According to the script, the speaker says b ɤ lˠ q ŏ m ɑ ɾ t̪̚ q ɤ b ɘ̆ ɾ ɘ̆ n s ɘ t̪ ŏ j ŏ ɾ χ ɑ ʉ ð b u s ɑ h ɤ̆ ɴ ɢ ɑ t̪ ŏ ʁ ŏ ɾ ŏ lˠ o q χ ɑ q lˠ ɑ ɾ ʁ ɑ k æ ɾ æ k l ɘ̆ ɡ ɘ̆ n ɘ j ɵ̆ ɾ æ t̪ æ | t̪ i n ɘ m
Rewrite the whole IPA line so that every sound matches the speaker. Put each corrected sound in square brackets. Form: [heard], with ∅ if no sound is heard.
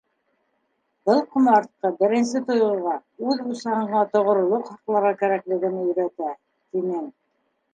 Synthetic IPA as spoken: b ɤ lˠ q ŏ m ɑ ɾ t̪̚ q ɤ b ɘ̆ ɾ ɘ̆ n s ɘ t̪ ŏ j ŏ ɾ [ʁ] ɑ ʉ ð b u s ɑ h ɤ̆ ɴ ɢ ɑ t̪ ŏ ʁ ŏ ɾ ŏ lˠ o q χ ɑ q lˠ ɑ ɾ ʁ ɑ k æ ɾ æ k l ɘ̆ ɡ ɘ̆ n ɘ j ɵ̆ ɾ æ t̪ æ | t̪ i n ɘ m

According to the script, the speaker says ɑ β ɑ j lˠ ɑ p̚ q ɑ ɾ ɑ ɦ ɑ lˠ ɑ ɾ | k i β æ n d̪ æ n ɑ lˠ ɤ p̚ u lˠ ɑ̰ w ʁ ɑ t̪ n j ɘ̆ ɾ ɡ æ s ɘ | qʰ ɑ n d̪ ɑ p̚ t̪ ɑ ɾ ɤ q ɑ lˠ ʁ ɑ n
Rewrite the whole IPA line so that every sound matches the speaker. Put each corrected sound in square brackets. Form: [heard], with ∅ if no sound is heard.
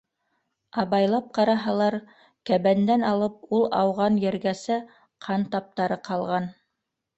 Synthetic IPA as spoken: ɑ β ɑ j lˠ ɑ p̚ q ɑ ɾ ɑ ɦ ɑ lˠ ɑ ɾ | k [æ] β æ n d̪ æ n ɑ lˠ ɤ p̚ u lˠ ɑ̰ w ʁ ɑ [∅] n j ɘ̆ ɾ ɡ æ s ɘ | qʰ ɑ n [t̪] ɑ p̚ t̪ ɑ ɾ ɤ q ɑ lˠ ʁ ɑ n

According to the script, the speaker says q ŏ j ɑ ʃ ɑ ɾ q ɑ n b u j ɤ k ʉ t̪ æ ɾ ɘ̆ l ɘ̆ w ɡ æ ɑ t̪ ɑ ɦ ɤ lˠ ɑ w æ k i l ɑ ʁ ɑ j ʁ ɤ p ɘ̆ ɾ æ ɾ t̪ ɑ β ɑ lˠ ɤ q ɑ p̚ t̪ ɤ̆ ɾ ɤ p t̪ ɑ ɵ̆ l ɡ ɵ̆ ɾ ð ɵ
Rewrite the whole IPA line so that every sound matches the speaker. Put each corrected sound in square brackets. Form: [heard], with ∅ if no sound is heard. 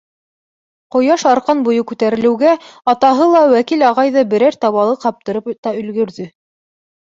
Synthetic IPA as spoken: q ŏ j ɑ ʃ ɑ ɾ q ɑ n b u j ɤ k ʉ t̪ æ ɾ ɘ̆ l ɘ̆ w ɡ æ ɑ t̪ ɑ ɦ ɤ lˠ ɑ w æ k i l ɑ ʁ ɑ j [ð] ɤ [b] ɘ̆ ɾ æ ɾ t̪ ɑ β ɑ lˠ ɤ q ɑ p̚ t̪ ɤ̆ ɾ ɤ p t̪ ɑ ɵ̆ l ɡ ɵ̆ ɾ ð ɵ

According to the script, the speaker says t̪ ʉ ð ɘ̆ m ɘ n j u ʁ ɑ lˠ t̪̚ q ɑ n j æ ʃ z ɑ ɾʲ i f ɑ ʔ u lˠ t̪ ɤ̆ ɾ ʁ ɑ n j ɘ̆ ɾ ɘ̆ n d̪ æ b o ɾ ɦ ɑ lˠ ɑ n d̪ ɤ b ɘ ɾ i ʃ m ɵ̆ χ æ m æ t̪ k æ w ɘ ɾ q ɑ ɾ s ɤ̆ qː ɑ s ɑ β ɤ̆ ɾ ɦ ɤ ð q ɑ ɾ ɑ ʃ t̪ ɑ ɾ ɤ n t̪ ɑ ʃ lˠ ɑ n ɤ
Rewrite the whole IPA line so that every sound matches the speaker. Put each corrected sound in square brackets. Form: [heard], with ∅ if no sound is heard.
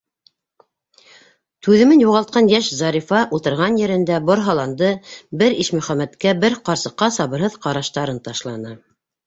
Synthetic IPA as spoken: t̪ ʉ ð ɘ̆ m ɘ n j u ʁ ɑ lˠ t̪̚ q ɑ n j æ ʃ z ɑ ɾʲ i f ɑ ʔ u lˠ t̪ ɤ̆ ɾ ʁ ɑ n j ɘ̆ ɾ ɘ̆ n d̪ æ b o ɾ ɦ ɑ lˠ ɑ n d̪ ɤ b ɘ ɾ i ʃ m ɵ̆ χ æ m æ t̪ k æ [b] ɘ ɾ q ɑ ɾ s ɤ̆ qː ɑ s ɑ β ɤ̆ ɾ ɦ ɤ ð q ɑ ɾ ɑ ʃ t̪ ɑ ɾ ɤ n t̪ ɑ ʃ lˠ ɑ n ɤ

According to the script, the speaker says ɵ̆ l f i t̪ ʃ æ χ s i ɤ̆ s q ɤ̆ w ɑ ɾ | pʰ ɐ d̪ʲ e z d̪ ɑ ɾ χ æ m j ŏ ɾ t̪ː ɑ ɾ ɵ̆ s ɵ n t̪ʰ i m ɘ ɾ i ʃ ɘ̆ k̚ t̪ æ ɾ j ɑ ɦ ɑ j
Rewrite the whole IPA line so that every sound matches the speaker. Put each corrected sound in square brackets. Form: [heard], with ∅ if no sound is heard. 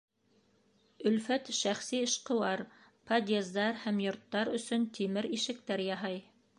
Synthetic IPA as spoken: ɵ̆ l f [æ] t̪ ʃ æ χ s i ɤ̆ [ʃ] q ɤ̆ w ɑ ɾ | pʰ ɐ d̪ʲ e z d̪ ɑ ɾ [h] æ m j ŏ ɾ t̪ː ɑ ɾ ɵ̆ s ɵ n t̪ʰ i m ɘ ɾ i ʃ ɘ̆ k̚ t̪ æ ɾ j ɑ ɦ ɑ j

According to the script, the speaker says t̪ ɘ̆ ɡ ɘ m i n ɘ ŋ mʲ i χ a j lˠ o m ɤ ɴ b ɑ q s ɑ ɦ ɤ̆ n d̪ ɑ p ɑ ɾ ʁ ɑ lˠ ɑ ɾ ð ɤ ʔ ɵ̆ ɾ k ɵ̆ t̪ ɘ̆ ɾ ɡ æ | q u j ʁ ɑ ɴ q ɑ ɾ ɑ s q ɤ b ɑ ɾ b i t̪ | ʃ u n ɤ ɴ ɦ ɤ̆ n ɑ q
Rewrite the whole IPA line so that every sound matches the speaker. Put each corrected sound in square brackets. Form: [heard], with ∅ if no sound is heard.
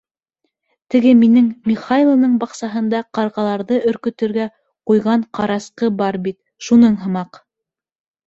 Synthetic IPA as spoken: t̪ ɘ̆ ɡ ɘ m i n ɘ ŋ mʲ i χ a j lˠ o [n] ɤ ɴ b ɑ q s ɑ ɦ ɤ̆ n d̪ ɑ [q] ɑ ɾ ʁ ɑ lˠ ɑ ɾ ð ɤ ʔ ɵ̆ ɾ k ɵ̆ t̪ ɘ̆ ɾ ɡ æ | q u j ʁ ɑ ɴ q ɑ ɾ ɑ s q ɤ b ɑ ɾ b i t̪ | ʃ u n ɤ ɴ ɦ ɤ̆ [m] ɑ q

